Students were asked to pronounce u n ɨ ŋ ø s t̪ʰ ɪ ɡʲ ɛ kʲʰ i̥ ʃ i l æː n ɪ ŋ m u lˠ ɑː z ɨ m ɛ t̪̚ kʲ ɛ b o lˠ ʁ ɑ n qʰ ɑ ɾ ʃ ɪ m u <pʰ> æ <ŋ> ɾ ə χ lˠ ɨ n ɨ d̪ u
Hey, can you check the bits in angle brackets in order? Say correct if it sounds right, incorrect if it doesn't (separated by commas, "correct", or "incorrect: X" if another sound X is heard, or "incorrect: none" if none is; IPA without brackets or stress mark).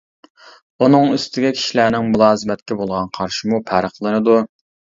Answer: correct, incorrect: none